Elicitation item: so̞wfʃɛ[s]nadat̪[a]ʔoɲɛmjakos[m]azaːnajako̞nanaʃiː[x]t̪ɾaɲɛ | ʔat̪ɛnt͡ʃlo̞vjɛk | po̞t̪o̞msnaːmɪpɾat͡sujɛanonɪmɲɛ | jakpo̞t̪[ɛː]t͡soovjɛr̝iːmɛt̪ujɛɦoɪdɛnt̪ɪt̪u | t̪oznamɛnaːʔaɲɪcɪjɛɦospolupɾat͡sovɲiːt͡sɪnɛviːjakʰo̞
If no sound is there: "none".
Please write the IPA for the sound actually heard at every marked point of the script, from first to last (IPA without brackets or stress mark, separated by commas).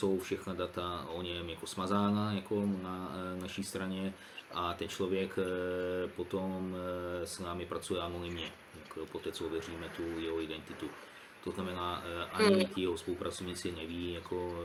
x, a, m, s, ɛː